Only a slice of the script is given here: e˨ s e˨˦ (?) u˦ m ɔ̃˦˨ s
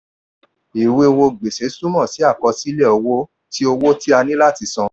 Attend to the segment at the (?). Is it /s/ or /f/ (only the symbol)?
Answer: s